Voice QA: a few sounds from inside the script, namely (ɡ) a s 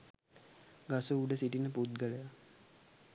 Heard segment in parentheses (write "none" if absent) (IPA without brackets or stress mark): ɡ